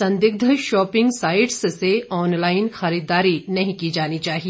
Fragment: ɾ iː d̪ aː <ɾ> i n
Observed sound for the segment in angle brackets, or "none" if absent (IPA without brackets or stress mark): ɾ